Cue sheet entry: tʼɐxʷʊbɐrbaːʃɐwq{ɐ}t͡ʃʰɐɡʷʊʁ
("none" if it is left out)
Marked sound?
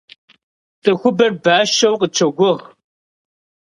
ə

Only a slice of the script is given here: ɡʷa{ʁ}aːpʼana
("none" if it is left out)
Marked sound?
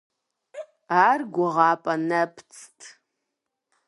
ʁ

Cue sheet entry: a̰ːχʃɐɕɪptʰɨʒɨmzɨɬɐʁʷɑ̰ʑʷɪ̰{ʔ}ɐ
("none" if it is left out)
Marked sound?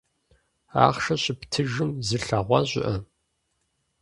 ʔ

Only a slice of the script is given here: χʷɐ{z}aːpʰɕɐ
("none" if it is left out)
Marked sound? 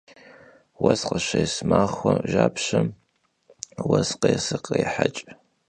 ʒ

